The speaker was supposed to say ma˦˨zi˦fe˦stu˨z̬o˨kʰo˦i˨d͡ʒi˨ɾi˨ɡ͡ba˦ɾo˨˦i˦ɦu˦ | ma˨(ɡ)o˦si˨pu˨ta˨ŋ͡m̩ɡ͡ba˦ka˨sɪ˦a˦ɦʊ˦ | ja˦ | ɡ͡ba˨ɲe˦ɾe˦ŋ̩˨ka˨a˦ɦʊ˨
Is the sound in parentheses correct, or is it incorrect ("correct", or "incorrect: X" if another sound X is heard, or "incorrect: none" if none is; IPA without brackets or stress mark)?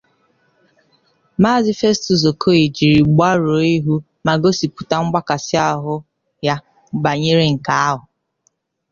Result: correct